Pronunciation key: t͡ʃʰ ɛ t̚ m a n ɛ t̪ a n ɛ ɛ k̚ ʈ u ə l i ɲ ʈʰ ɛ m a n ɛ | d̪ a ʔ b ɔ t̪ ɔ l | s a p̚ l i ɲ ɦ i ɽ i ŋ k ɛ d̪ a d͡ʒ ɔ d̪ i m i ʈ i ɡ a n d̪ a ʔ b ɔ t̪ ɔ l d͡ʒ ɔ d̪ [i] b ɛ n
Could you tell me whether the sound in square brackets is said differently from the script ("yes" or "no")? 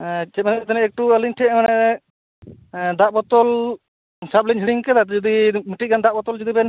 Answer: no